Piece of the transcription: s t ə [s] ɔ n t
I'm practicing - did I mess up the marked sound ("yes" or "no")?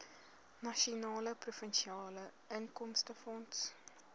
yes